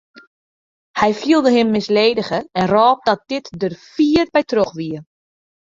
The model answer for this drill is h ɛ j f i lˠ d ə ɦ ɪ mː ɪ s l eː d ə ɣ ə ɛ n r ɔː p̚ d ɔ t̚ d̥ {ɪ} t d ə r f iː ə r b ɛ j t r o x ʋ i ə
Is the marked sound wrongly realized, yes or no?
no